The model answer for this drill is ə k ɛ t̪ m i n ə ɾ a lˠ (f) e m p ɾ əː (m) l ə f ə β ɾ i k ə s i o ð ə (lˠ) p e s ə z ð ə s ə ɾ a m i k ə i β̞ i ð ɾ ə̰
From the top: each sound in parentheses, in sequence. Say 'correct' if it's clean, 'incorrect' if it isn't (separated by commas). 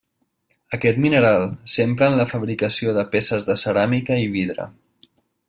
incorrect, incorrect, incorrect